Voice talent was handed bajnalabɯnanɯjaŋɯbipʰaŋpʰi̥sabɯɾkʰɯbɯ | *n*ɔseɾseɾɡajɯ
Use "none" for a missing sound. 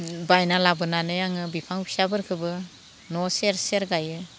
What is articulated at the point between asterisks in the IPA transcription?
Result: n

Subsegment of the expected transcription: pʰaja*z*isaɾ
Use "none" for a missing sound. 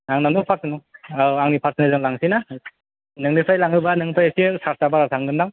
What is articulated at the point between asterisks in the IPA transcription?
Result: s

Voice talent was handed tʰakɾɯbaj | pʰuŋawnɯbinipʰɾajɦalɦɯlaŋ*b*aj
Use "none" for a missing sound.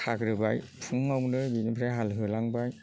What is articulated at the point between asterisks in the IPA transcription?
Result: b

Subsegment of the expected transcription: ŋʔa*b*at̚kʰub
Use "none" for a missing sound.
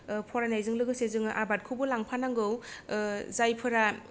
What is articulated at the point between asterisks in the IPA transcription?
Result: b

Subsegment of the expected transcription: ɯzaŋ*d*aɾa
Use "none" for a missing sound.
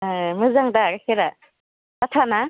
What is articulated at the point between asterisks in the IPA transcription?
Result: d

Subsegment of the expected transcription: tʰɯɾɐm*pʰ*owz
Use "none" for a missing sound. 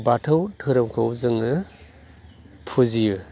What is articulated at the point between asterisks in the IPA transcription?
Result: kʰ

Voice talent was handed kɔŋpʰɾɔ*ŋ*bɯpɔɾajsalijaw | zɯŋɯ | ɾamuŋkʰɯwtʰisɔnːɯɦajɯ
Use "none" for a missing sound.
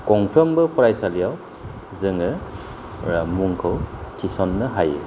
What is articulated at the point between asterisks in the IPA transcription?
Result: m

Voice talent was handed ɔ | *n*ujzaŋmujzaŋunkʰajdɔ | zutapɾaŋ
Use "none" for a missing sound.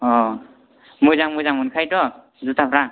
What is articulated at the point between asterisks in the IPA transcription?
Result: m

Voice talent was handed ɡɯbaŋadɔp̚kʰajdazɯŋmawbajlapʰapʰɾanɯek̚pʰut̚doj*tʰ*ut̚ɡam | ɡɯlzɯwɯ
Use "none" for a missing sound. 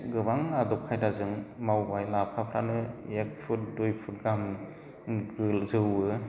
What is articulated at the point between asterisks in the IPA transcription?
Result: pʰ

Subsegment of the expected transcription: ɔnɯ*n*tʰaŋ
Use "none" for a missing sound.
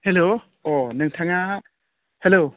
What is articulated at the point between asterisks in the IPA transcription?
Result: ŋ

